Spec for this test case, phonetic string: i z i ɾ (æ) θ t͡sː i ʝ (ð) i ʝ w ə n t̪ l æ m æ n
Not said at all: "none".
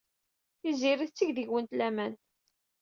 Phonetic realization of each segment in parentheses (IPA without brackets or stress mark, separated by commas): i, ð